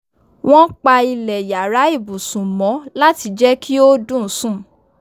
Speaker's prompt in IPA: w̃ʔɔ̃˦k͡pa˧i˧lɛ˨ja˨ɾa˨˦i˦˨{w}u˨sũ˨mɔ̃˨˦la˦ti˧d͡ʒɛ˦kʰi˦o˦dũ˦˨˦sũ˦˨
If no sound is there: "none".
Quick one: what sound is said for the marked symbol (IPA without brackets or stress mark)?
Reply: b